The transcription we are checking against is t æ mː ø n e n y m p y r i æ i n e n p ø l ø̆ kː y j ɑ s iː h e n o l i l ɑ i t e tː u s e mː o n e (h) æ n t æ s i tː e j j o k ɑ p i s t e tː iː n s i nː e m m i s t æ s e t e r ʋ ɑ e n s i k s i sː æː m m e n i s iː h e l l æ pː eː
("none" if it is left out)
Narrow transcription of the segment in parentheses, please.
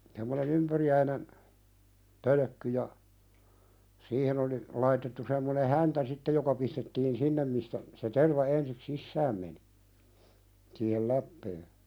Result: h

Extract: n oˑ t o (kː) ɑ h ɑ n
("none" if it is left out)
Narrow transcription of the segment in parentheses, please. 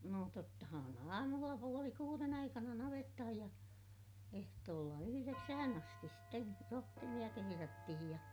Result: tː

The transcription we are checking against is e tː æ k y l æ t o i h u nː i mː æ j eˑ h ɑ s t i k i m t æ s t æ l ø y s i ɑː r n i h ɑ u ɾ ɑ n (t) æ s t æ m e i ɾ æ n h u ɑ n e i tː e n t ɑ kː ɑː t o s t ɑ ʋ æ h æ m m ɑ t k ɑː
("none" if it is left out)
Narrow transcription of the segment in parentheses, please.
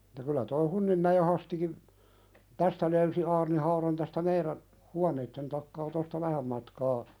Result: t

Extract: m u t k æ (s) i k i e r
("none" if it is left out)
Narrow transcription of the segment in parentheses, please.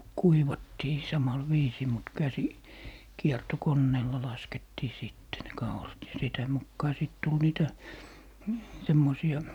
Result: s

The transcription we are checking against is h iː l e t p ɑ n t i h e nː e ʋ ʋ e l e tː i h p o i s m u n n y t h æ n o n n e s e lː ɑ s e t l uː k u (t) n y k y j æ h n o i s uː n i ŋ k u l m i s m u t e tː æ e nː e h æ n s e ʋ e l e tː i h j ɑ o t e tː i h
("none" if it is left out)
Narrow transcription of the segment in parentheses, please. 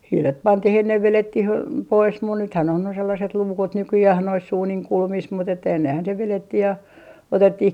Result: t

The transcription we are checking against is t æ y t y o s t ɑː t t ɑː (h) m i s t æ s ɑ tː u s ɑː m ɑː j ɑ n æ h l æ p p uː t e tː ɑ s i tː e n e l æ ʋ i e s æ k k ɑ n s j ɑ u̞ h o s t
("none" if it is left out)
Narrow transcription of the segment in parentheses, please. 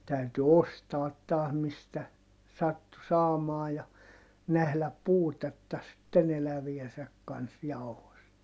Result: h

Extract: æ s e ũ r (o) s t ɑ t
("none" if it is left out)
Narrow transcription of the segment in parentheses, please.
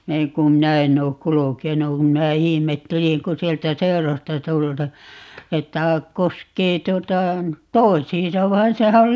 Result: o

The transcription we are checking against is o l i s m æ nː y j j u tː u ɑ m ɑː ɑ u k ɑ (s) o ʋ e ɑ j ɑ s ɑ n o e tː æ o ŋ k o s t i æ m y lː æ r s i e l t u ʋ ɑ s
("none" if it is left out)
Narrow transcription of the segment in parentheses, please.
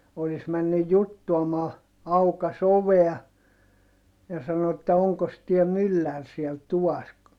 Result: s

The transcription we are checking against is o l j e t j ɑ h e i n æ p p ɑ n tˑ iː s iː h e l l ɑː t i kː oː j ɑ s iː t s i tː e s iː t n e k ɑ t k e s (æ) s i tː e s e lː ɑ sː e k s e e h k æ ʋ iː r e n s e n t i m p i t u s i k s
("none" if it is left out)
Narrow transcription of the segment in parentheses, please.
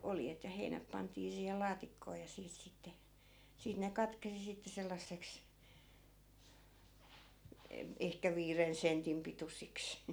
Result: i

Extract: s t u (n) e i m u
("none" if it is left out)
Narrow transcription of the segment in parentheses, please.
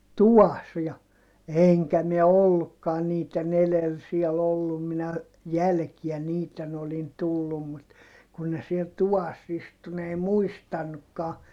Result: n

